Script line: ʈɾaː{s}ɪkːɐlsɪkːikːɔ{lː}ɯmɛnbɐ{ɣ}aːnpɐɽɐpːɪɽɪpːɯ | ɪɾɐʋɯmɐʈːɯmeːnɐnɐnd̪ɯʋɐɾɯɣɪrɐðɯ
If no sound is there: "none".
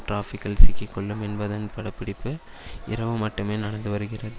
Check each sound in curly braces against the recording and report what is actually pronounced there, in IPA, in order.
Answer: f, ɭː, ð

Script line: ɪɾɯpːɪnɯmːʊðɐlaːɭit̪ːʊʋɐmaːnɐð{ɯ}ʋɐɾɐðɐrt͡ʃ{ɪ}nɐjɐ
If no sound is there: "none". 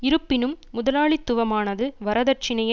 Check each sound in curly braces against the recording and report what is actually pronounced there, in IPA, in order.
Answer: ɯ, ɪ

